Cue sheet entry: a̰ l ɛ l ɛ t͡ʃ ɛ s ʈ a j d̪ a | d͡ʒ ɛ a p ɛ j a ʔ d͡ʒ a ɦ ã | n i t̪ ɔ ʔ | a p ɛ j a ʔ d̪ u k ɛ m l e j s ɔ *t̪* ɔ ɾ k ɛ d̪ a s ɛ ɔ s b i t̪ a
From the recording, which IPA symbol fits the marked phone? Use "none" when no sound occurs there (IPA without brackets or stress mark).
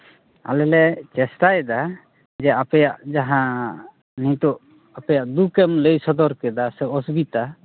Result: d̪